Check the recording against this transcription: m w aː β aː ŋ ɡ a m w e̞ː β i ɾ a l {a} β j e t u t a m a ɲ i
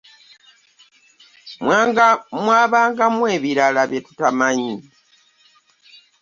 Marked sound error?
no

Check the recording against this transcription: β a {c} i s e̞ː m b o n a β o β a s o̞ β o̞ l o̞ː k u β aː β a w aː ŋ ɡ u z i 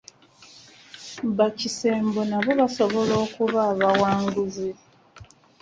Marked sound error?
no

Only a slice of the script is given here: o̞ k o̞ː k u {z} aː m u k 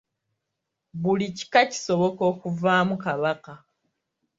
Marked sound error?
yes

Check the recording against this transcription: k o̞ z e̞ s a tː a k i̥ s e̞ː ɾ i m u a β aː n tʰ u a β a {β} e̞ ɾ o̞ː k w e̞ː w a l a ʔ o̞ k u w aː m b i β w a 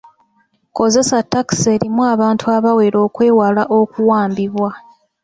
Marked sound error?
yes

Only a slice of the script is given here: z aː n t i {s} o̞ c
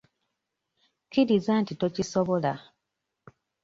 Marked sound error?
yes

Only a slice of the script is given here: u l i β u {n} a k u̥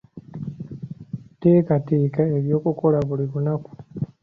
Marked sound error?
no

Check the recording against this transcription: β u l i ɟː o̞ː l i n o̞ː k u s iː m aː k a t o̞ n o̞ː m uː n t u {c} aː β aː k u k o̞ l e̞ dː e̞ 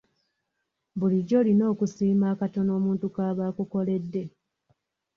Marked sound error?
yes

